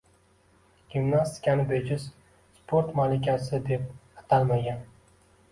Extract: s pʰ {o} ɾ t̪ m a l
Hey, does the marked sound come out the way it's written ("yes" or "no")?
yes